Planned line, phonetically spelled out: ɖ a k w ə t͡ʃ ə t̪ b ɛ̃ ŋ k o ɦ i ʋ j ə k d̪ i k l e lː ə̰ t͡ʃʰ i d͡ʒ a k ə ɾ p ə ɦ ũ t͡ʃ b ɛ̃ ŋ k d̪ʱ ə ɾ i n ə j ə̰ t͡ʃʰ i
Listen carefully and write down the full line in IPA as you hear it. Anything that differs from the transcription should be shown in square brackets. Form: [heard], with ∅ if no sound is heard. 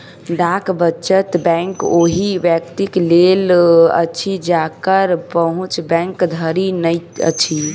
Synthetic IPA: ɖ a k [b] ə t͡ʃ ə t̪ b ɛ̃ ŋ k o ɦ i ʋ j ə k [t̪] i k l e [l] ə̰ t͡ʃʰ i d͡ʒ a k ə ɾ p ə ɦ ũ t͡ʃ b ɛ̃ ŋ k d̪ʱ ə ɾ i n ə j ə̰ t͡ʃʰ i

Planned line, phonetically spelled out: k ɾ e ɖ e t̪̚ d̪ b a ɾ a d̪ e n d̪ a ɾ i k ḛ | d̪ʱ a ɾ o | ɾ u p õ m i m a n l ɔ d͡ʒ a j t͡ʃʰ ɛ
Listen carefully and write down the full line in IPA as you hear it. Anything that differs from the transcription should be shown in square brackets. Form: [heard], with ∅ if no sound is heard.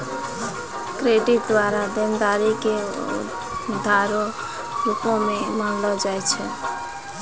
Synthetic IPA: k ɾ e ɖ [i] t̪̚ d̪ [w] a ɾ a d̪ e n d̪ a ɾ i k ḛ | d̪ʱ a ɾ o | ɾ u p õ m [e] m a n l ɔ d͡ʒ a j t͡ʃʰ ɛ

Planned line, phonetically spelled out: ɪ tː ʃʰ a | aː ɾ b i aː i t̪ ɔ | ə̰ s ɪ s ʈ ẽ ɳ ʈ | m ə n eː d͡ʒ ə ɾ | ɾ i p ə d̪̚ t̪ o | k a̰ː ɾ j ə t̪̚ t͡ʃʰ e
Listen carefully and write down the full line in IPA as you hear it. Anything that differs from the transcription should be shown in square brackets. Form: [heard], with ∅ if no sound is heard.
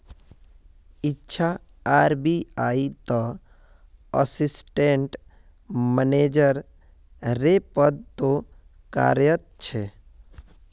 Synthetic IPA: ɪ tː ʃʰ a | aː ɾ b i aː i t̪ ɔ | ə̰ s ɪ s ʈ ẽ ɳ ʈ | m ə n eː d͡ʒ ə ɾ | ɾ [e] p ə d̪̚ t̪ o | k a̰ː ɾ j ə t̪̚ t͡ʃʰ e

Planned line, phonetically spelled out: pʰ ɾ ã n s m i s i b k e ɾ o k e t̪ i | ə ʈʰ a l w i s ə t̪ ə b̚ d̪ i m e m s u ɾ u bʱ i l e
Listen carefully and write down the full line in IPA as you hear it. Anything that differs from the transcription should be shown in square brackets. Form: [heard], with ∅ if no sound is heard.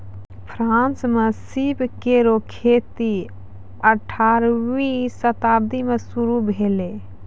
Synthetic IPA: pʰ ɾ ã n s m [e] s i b k e ɾ o [kʰ] e t̪ i | ə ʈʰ a [ɾ] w i s ə t̪ [a] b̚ d̪ i m e [∅] s u ɾ u bʱ [e] l e

